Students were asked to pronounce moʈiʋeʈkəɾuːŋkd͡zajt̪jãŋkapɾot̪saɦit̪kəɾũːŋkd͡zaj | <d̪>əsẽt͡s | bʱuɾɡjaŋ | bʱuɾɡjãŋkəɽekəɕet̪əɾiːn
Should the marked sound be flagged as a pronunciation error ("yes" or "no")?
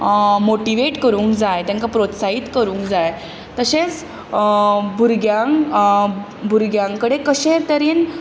yes